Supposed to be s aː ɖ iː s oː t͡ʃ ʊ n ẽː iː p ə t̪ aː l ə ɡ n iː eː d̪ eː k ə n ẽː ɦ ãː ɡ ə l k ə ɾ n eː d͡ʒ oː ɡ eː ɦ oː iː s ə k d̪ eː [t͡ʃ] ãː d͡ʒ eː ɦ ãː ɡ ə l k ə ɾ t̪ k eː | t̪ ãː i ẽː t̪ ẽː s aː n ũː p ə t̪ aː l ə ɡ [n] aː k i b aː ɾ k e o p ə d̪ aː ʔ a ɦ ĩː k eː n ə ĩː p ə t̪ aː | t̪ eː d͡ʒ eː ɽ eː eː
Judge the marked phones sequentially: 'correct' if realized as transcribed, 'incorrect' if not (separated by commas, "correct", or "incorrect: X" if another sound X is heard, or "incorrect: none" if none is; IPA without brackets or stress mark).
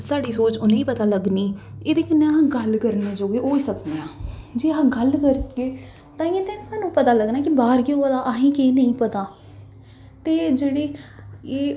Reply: incorrect: none, correct